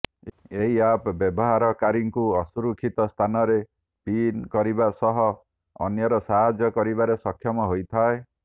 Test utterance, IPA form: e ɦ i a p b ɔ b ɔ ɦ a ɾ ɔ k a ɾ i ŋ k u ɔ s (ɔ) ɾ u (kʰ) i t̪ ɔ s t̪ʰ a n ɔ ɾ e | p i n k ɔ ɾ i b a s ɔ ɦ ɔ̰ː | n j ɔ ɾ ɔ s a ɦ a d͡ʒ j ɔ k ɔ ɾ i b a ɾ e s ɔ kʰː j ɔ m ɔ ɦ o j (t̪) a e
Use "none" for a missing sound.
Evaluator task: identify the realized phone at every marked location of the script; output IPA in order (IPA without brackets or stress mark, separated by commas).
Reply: u, kʰ, t̪ʰ